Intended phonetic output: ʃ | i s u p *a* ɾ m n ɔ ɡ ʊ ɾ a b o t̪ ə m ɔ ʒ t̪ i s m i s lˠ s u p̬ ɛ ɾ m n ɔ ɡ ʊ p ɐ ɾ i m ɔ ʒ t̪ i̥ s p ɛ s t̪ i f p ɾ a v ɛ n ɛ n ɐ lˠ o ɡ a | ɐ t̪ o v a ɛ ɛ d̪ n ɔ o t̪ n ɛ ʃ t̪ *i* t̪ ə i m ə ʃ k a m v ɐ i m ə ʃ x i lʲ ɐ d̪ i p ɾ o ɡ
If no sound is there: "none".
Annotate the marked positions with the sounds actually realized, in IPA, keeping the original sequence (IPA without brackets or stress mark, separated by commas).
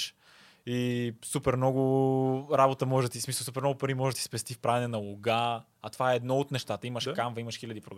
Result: ɛ, a